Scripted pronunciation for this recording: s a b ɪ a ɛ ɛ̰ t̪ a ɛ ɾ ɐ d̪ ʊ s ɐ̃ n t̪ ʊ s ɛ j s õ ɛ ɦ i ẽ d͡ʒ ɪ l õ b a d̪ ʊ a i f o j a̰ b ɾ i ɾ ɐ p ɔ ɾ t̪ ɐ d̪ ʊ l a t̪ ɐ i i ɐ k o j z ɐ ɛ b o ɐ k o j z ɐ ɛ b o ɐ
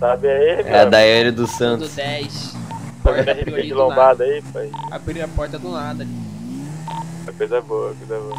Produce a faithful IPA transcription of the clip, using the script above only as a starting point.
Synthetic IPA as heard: s a b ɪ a i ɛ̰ d̪ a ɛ ɾ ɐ d̪ ʊ s ɐ̃ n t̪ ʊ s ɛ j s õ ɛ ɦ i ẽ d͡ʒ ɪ l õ b a d̪ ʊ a i f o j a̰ b ɾ i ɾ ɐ p ɔ ɾ t̪ ɐ d̪ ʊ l a d̪ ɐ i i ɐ k o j z ɐ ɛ b o ɐ k o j z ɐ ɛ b o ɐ

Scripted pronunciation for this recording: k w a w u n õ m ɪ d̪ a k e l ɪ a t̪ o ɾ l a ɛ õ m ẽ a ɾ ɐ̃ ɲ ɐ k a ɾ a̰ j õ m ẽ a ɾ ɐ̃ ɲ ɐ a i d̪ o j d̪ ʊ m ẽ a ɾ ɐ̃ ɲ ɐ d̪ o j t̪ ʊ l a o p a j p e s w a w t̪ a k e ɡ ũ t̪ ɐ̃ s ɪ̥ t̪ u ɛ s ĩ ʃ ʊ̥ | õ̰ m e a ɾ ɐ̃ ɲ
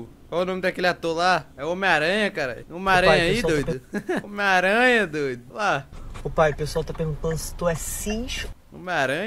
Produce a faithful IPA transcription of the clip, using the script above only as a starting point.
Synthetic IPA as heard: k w a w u n õ m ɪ d̪ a k e l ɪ a t̪ o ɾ l a ɛ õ m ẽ a ɾ ɐ̃ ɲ ɐ k a ɾ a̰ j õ m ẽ a ɾ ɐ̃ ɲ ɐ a i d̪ o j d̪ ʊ m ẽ a ɾ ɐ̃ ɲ ɐ d̪ o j d̪ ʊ l a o p a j p e s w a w t̪ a p e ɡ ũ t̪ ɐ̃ s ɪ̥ t̪ u ɛ s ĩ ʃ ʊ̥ | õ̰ m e a ɾ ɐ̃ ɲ

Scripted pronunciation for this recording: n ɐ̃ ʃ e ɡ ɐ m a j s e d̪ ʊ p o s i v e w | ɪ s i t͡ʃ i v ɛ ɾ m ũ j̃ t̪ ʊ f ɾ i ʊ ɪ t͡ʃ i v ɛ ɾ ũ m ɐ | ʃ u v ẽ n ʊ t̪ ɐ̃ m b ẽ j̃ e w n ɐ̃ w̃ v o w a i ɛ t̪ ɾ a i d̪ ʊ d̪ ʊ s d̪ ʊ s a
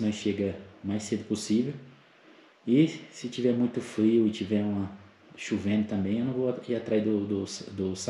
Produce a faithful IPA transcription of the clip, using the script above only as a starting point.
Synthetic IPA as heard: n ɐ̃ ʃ e ɡ ɐ m a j s e d̪ ʊ p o s i v e w | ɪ s ɪ t͡ʃ i v ɛ ɾ m ũ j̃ t̪ ʊ f ɾ i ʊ ɪ t͡ʃ i v ɛ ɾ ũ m ɐ | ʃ u v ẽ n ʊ t̪ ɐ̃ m b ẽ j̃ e w n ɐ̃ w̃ v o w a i a t̪ ɾ a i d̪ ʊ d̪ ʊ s d̪ ʊ s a

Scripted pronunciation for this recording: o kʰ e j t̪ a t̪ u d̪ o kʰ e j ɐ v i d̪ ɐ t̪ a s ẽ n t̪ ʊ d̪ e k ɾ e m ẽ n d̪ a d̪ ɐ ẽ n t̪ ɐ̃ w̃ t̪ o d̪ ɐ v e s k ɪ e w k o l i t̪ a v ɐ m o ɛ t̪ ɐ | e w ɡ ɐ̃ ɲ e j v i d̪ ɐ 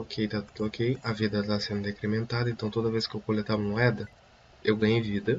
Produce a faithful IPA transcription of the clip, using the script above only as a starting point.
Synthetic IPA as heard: o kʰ e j t̪ a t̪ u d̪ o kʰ e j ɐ v i d̪ ɐ t̪ a s ẽ n d̪ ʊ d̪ e k ɾ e m ẽ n t̪ a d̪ ɐ ẽ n t̪ ɐ̃ w̃ t̪ o d̪ ɐ v e s k ɪ e w k o l e t̪ a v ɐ m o ɛ d̪ ɐ | e w ɡ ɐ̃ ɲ e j v i d̪ ɐ

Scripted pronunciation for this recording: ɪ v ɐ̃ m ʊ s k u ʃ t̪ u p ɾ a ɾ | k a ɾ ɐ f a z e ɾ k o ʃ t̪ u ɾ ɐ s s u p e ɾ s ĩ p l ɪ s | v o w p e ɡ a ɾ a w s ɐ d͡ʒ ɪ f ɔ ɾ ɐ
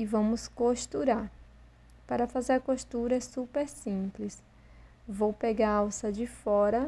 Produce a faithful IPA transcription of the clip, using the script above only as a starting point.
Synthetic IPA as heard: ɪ v ɐ̃ m ʊ s k o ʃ t̪ u ɾ a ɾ | p a ɾ ɐ f a z e ɾ k o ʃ t̪ u ɾ ɐ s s u p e ɾ s ĩ p l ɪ s | v o w p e ɡ a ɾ a w s ɐ d͡ʒ ɪ f ɔ ɾ ɐ

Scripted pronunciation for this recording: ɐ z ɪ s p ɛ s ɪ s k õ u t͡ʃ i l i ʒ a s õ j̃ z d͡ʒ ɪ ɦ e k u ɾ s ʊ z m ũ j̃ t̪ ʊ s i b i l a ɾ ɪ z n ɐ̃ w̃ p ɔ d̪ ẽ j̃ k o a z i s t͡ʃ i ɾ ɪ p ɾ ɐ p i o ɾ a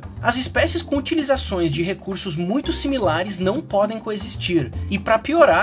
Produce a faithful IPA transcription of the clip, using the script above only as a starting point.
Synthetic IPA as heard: ɐ z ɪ s p ɛ s ɪ s k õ u t͡ʃ i l i z a s õ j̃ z d͡ʒ ɪ ɦ e k u ɾ s ʊ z m ũ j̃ t̪ ʊ s i m i l a ɾ ɪ z n ɐ̃ w̃ p ɔ d̪ ẽ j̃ k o e z i s t͡ʃ i ɾ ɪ p ɾ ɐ p i o ɾ a

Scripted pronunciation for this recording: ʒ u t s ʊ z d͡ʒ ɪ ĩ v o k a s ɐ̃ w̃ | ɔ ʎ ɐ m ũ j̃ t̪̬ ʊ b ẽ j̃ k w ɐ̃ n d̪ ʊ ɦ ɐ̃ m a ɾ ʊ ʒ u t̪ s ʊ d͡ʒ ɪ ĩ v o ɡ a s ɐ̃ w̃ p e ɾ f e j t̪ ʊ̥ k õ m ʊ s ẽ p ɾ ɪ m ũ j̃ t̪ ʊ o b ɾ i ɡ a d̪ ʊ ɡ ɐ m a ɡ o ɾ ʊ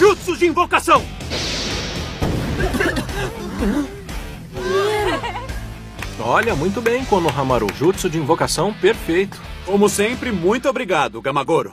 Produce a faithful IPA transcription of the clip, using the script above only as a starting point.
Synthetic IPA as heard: ʒ u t s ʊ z d͡ʒ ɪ ĩ v o k a s ɐ̃ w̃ | ɔ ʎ ɐ m ũ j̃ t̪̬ ʊ b ẽ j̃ k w ɐ̃ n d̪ ʊ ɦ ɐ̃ m a ɾ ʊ ʒ u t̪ s ʊ d͡ʒ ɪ ĩ v o k a s ɐ̃ w̃ p e ɾ f e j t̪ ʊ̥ k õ m ʊ s ẽ p ɾ ɪ m ũ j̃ t̪ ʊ o b ɾ i ɡ a d̪ ʊ ɡ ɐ m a ɡ o ɾ ʊ

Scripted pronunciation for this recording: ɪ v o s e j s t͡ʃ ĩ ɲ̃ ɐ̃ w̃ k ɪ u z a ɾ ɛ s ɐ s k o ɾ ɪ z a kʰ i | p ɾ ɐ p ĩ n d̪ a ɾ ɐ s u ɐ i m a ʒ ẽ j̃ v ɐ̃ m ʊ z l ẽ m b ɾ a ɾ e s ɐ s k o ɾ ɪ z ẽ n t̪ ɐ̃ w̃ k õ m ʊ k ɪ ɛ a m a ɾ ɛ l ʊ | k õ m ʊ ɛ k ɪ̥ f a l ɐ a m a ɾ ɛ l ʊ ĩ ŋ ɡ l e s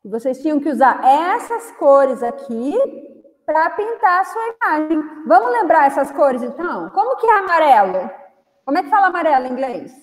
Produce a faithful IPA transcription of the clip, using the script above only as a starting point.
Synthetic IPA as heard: ɪ v o s e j s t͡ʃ ĩ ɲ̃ ɐ̃ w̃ k ɪ u z a ɾ ɛ s ɐ s k o ɾ ɪ z a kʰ i | p ɾ ɐ p ĩ n t̪ a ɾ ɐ s u ɐ i m a ʒ ẽ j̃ v ɐ̃ m ʊ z l ẽ m b ɾ a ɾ ɛ s ɐ s k o ɾ ɪ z ẽ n t̪ ɐ̃ w̃ k õ m ʊ k ɪ ɛ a m a ɾ ɛ l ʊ | k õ m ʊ ɛ k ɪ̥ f a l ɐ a m a ɾ ɛ l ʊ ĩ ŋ ɡ l e s

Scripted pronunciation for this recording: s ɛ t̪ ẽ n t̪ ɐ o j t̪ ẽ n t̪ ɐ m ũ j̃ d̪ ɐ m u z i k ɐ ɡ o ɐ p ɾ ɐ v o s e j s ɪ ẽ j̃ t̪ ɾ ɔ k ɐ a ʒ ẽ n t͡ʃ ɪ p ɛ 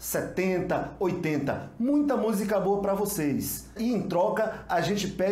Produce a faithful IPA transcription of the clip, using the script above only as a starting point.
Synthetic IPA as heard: s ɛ t̪ ẽ n t̪ ɐ o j t̪ ẽ n t̪ ɐ m ũ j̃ t̪ ɐ m u z i k ɐ b o ɐ p ɾ ɐ v o s e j s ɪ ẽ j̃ t̪ ɾ ɔ k ɐ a ʒ ẽ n t͡ʃ ɪ p ɛ

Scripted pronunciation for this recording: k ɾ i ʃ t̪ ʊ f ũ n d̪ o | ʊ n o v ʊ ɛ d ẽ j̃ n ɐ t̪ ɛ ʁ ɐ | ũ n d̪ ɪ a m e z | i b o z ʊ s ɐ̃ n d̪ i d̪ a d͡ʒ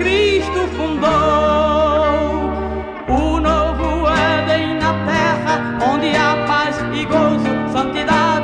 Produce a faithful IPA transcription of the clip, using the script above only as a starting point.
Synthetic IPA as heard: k ɾ i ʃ t̪ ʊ f ũ n d̪ o | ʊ n o v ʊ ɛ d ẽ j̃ n ɐ t̪ ɛ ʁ ɐ | õ n d̪ ɪ a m a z | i ɡ o z ʊ s ɐ̃ n t̪ i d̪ a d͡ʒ

